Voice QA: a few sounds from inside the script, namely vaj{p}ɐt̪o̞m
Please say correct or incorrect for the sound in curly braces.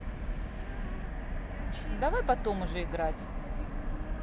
correct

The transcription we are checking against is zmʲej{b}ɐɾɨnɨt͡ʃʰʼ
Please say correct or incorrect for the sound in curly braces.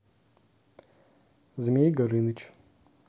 incorrect: ɡ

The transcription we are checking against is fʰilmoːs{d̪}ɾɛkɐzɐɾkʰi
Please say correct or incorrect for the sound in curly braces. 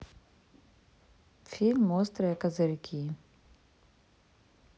incorrect: t̪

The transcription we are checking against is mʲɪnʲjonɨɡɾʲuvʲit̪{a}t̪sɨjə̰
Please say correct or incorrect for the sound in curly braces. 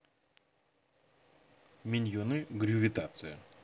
correct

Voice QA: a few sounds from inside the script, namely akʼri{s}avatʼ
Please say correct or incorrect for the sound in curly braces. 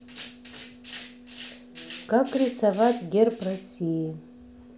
correct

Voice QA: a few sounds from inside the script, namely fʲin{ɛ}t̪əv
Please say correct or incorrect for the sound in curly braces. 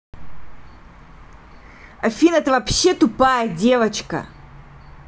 correct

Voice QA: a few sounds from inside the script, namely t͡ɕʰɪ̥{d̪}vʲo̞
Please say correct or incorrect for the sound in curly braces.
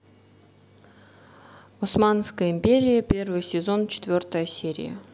incorrect: t̪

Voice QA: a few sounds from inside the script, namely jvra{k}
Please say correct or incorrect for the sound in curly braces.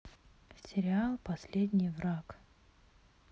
correct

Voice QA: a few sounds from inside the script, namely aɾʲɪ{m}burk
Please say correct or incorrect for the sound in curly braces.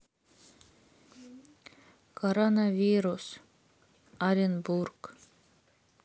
incorrect: n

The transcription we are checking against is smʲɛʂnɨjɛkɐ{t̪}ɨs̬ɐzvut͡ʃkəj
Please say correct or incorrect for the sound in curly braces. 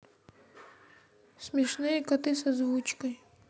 correct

